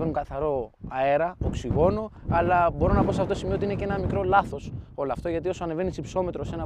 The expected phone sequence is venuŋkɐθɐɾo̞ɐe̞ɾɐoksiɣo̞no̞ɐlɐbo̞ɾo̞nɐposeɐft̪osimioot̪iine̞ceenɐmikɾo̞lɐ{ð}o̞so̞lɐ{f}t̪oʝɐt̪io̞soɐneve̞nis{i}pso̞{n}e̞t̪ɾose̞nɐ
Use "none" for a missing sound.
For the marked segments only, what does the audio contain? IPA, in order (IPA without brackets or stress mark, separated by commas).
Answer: θ, f, i, m